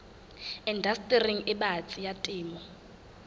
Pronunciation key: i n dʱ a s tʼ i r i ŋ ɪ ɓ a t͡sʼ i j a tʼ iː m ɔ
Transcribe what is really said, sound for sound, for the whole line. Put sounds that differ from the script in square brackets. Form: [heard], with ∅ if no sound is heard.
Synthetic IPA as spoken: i n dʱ a s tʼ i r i ŋ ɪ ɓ a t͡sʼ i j a tʼ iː m ɔ